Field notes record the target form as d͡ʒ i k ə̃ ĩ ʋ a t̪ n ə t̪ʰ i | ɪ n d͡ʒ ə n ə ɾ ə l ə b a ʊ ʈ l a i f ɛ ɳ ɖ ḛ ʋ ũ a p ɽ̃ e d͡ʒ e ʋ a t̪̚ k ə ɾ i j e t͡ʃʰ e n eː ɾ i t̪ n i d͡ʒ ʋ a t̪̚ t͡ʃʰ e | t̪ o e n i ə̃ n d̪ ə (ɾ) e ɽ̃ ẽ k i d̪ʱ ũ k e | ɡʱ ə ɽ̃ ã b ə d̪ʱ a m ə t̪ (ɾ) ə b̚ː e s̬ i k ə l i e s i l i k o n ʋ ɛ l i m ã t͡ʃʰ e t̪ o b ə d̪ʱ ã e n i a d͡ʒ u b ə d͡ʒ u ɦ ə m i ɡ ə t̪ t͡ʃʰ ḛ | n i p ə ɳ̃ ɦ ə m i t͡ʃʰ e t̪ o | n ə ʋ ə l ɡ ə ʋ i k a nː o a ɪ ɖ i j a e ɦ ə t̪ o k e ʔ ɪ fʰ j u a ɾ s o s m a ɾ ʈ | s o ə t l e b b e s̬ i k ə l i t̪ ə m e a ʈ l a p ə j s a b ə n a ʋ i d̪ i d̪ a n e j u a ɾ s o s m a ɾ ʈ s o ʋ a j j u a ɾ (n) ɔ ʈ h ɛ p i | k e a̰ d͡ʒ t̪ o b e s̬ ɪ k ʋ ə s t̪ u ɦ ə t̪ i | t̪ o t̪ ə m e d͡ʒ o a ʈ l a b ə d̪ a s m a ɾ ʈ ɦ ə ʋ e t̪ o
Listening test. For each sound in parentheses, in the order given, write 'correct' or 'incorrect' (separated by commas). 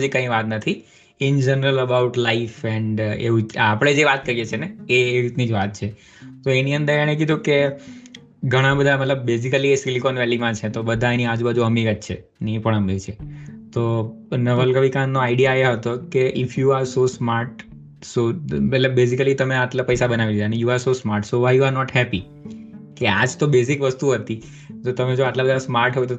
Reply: correct, incorrect, correct